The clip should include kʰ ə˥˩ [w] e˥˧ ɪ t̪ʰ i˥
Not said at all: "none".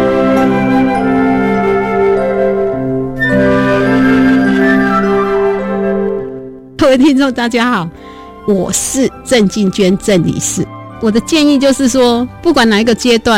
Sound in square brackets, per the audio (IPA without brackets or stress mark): w